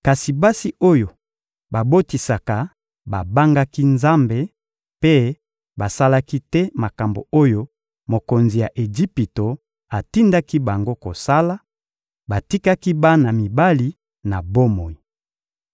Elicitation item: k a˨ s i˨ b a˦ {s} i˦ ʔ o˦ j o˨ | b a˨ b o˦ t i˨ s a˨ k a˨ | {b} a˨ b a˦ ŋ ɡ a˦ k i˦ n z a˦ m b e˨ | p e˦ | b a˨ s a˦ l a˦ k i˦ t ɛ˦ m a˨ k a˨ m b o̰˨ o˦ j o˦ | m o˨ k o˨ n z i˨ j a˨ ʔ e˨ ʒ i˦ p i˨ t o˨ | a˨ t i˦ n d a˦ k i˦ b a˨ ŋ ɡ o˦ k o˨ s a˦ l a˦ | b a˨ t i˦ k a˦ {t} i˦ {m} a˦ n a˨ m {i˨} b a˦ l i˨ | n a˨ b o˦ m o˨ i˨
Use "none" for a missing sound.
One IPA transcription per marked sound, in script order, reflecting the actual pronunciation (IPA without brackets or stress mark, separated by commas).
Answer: s, b, k, b, i˨